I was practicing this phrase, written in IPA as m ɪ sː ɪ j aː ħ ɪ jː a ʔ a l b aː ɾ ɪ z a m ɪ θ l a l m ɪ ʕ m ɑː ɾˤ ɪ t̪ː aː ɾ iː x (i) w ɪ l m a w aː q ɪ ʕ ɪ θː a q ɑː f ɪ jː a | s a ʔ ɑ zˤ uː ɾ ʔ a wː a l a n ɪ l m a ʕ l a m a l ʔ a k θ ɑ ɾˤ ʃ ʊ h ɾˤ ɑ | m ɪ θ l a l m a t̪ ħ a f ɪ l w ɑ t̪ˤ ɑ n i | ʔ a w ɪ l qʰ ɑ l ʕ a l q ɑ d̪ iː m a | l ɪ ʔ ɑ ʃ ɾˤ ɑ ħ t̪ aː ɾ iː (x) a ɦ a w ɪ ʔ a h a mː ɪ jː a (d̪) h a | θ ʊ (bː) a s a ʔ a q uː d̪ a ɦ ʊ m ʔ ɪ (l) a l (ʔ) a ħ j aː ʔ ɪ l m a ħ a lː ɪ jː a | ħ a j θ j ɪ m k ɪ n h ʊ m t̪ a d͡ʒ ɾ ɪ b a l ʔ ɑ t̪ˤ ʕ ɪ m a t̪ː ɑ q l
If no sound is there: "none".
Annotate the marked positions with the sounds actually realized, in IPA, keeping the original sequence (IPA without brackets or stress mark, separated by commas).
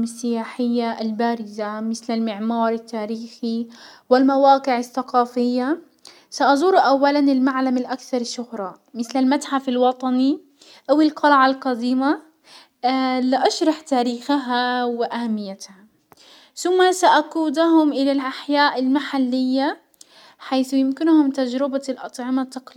i, x, t̪, mː, l, ʔ